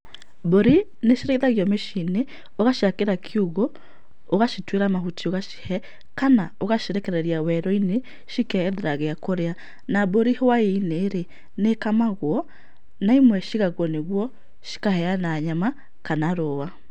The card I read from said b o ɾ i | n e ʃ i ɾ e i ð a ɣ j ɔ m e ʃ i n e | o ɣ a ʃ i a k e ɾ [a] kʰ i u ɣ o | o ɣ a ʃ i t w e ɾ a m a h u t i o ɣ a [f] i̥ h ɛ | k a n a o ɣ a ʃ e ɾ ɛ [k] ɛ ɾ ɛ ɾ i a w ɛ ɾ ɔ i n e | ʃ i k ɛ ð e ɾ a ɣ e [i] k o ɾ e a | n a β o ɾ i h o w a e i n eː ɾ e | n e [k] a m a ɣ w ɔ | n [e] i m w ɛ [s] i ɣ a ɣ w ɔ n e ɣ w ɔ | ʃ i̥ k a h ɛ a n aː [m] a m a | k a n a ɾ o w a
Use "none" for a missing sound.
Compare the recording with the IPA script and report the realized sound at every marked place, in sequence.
a, ʃ, k, a, k, a, ʃ, ɲ

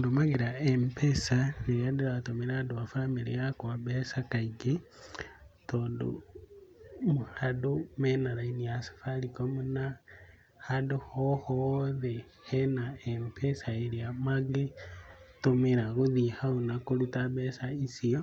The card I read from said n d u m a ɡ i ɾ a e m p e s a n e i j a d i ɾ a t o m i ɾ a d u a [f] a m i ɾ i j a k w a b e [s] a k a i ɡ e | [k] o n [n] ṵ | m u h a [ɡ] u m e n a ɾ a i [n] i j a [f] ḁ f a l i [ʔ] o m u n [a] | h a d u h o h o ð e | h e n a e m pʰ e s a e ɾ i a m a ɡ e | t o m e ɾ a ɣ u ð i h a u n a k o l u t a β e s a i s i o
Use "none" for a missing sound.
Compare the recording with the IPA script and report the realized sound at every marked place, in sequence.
f, s, t, d, d, n, s, k, a

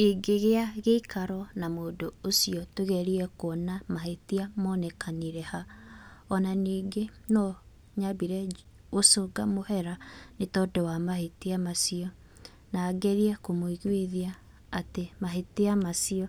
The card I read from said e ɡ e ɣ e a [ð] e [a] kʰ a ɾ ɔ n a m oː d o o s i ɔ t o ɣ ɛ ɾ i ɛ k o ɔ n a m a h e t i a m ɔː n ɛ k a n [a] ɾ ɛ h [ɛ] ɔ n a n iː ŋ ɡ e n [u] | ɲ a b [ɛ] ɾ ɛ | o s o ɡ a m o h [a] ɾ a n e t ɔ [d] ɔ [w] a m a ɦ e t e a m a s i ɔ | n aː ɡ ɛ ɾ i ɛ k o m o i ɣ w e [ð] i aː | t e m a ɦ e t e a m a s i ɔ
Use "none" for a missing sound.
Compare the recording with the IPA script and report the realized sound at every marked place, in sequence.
ɣ, i, i, a, ɔ, i, ɛ, d, w, ð

